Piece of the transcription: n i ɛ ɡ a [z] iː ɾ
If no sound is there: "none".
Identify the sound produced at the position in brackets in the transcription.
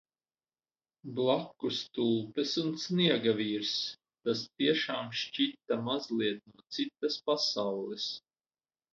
v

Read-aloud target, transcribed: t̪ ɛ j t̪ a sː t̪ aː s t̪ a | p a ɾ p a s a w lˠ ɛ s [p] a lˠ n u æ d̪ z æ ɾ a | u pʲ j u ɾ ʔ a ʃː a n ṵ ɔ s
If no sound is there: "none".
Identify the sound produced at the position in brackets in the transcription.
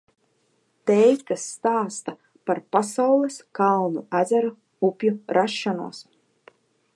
k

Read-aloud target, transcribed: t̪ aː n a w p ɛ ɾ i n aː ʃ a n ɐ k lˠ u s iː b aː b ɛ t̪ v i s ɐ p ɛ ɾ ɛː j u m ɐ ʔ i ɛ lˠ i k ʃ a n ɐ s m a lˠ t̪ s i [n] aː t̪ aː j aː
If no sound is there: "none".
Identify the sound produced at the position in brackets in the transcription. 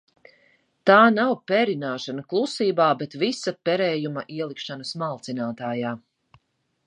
n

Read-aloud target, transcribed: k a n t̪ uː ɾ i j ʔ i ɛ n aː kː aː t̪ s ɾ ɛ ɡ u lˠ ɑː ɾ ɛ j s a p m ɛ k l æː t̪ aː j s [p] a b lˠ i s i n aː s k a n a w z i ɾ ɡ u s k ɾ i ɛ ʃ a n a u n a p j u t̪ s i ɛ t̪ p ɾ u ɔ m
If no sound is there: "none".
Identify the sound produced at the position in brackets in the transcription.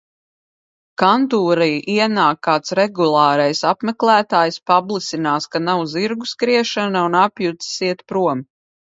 p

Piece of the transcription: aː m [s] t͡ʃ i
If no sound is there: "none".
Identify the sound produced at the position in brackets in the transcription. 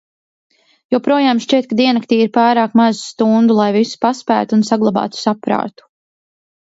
ʃ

